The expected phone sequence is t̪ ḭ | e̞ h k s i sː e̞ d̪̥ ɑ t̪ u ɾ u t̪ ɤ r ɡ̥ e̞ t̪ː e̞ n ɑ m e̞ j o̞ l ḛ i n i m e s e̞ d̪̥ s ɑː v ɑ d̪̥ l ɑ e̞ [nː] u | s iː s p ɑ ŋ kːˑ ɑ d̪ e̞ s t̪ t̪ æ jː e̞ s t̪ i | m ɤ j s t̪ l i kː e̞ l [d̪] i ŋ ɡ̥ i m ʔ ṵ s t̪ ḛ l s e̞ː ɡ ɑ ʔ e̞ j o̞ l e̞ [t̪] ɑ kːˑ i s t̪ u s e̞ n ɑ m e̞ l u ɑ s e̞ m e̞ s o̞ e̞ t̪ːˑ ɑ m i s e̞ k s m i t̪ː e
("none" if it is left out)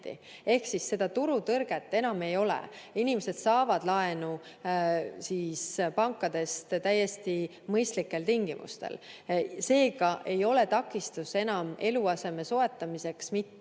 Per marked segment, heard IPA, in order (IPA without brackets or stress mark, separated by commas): n, t̪, t̪